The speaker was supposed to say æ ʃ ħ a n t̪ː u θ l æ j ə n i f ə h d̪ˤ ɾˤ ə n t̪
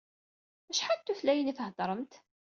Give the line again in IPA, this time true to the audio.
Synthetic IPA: æ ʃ ħ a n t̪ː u θ l æ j ə n i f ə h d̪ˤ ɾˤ ə m t̪